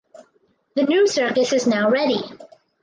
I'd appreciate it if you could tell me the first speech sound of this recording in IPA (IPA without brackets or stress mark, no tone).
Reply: ð